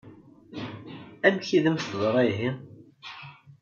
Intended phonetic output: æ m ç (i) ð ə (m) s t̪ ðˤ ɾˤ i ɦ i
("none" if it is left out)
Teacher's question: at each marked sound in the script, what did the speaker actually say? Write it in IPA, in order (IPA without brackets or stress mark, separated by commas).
i, m